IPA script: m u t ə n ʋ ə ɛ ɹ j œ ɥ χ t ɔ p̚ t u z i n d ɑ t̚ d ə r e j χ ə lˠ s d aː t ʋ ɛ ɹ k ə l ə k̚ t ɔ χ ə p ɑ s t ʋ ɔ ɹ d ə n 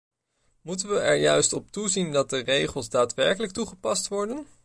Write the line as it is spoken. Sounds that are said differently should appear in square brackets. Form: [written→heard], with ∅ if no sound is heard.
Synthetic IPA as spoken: m u t ə n ʋ ə ɛ ɹ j œ ɥ [χ→s] t ɔ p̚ t u z i n d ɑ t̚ d ə r e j χ ə lˠ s d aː t ʋ ɛ ɹ k ə l ə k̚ t [ɔ→u] χ ə p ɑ s t ʋ ɔ ɹ d ə n